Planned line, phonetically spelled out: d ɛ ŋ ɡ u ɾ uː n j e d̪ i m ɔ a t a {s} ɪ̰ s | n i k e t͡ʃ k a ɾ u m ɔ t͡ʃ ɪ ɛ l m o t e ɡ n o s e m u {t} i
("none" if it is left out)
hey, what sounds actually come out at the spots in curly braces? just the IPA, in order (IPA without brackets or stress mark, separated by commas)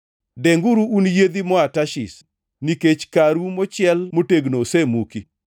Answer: ʃ, k